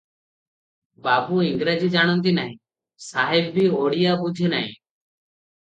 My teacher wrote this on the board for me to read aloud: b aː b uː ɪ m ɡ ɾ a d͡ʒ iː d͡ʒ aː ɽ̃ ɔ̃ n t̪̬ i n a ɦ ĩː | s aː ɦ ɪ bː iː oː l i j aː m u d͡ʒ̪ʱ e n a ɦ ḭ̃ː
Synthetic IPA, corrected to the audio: b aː b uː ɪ ŋ ɡ ɾ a d͡ʒ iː d͡ʒ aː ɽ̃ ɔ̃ n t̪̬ i n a ɦ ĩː | s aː ɦ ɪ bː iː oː ɽ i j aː b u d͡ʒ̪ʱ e n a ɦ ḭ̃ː